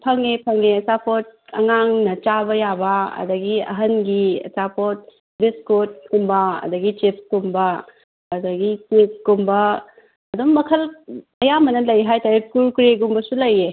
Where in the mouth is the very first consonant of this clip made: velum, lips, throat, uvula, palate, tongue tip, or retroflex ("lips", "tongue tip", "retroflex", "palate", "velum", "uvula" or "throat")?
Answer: lips